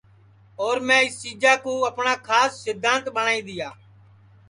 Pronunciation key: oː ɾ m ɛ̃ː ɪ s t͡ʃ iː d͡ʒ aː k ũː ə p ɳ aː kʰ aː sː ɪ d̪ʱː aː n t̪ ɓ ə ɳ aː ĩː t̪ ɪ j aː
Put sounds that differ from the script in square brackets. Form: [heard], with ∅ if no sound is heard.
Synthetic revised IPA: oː ɾ m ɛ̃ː ɪ s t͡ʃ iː d͡ʒ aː k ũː ə p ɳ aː kʰ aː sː ɪ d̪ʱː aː n t̪ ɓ ə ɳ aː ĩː [d̪] ɪ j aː